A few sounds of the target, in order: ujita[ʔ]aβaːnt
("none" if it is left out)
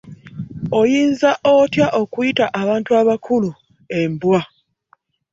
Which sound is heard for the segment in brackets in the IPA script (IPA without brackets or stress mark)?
ʔ